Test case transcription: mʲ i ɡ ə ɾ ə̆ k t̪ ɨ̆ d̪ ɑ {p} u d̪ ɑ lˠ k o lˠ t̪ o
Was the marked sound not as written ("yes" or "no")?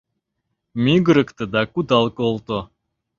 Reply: yes